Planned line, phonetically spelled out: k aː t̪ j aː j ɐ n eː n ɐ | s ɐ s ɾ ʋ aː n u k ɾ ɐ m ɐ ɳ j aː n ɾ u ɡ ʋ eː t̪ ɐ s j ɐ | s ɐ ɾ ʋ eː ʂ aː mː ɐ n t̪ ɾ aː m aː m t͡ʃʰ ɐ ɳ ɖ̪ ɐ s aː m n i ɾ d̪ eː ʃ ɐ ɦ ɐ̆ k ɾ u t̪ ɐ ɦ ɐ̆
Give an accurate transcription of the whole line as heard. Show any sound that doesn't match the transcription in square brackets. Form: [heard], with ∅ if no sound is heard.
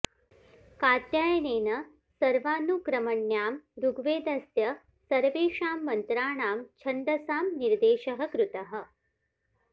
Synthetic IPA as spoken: k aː t̪ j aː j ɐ n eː n ɐ | s ɐ [∅] ɾ ʋ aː n u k ɾ ɐ m ɐ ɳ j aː [m] ɾ u ɡ ʋ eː [d̪] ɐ s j ɐ | s ɐ ɾ ʋ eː ʂ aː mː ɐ n t̪ ɾ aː [ɳ] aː m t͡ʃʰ ɐ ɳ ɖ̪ ɐ s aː m n i ɾ d̪ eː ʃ ɐ ɦ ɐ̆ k ɾ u t̪ ɐ ɦ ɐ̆